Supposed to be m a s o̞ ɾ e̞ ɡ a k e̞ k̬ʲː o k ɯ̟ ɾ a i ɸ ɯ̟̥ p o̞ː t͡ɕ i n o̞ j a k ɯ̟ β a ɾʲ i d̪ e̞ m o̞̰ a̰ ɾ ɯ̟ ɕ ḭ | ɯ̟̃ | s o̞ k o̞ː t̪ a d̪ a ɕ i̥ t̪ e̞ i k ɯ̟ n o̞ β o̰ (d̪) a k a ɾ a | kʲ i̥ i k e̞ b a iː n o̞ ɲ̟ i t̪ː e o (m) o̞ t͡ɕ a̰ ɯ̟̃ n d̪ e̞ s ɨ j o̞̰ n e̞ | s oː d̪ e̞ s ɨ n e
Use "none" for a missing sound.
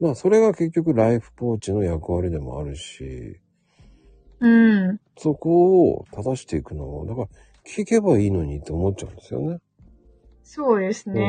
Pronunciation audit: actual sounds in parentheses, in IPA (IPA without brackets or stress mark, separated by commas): d̪, m